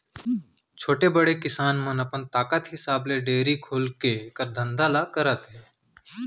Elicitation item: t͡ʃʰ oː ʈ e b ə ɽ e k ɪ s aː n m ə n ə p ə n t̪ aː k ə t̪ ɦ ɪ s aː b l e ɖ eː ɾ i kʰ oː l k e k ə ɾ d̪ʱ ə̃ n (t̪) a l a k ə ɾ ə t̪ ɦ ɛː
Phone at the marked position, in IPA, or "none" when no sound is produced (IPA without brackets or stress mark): d̪